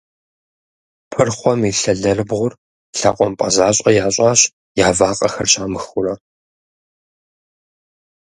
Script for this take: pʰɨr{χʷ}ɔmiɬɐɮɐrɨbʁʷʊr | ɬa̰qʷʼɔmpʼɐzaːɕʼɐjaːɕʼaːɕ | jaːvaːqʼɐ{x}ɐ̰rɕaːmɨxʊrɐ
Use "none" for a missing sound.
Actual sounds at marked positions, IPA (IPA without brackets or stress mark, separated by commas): χʷ, x